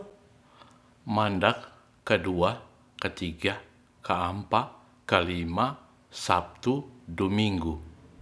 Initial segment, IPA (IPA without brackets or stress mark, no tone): m